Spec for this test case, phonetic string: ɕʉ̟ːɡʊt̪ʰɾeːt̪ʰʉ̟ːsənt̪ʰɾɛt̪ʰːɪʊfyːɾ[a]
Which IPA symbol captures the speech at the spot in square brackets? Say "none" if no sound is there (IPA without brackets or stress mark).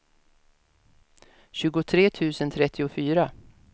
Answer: a